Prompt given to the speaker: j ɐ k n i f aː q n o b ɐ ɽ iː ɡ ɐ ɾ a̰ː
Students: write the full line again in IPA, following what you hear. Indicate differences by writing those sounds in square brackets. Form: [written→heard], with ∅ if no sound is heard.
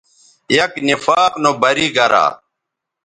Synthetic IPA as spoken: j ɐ k n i f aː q n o b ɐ [ɽ→ɾ] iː ɡ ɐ ɾ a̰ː